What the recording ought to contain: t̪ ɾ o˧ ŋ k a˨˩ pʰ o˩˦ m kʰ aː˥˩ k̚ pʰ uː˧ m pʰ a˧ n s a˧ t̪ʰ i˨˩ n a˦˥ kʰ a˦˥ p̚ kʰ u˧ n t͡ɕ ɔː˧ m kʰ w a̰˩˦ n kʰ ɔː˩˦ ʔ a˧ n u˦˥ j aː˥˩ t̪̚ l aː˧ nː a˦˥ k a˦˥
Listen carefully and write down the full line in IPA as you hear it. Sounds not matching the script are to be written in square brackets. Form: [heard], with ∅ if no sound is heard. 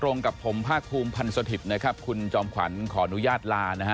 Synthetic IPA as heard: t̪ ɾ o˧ ŋ k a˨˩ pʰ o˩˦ m [pʰ] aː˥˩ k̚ pʰ uː˧ m pʰ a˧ n s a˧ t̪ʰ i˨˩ n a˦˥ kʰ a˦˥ p̚ kʰ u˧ n t͡ɕ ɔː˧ m kʰ w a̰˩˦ n kʰ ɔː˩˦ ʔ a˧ n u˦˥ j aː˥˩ t̪̚ l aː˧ [n] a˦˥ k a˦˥